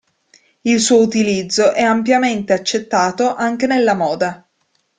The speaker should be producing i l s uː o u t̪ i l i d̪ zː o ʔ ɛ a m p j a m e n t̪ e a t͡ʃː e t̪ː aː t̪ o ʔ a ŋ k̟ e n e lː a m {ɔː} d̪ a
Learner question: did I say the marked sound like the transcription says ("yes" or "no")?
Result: yes